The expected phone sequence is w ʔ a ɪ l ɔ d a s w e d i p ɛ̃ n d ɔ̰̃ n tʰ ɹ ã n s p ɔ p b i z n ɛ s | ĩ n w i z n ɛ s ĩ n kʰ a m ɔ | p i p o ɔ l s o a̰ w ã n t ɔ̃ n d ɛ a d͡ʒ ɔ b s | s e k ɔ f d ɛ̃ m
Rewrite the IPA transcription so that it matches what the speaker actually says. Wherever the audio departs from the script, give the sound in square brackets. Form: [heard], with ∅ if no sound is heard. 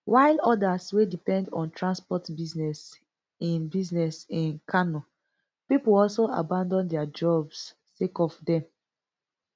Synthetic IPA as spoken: w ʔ a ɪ l ɔ d a s w e d i p ɛ̃ n d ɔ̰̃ n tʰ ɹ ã n s p ɔ [t] b i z n ɛ s | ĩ n [b] i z n ɛ s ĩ n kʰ a [n] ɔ | p i p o ɔ l s o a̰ [b] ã n [d] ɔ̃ n d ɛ a d͡ʒ ɔ b s | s e k ɔ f d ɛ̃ m